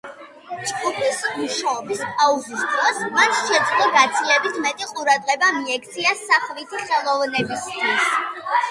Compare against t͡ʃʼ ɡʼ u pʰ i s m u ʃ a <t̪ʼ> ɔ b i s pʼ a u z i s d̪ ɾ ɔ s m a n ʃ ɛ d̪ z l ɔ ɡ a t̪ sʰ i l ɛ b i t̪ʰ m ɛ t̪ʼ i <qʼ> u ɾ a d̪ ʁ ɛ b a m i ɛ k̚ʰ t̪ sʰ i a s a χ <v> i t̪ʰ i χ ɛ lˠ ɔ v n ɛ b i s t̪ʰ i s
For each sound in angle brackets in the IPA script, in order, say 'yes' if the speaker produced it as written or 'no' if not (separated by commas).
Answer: no, yes, yes